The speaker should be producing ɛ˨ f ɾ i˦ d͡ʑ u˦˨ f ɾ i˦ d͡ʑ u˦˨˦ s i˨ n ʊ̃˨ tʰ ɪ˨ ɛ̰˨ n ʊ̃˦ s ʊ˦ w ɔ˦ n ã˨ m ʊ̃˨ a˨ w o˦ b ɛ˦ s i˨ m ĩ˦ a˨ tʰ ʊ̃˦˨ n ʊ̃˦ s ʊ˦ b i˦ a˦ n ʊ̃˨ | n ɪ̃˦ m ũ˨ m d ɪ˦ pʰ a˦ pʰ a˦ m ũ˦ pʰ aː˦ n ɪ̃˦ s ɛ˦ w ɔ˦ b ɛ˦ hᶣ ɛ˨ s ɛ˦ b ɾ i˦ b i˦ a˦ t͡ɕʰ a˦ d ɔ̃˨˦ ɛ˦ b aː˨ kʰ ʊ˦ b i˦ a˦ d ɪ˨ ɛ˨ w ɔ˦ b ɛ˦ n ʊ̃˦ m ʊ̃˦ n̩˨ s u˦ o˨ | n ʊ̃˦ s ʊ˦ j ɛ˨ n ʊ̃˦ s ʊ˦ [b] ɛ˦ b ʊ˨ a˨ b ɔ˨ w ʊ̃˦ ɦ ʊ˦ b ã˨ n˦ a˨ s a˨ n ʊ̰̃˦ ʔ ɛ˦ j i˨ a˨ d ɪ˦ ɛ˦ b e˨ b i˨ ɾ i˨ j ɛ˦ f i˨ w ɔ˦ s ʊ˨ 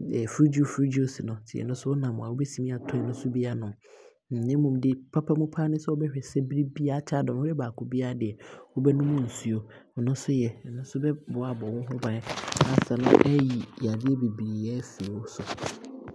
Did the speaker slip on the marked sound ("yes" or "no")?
no